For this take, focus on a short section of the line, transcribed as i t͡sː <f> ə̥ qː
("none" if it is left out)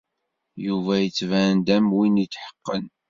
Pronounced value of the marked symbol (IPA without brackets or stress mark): ħ